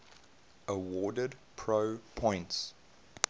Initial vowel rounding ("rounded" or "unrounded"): unrounded